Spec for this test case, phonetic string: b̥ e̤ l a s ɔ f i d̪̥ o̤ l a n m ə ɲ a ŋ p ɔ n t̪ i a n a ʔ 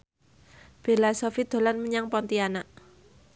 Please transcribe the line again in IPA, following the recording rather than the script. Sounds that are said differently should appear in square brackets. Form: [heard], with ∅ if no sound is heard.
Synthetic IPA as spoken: b̥ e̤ l a s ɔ f i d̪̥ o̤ l a n m ə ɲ a ŋ p ɔ n t̪ i a n a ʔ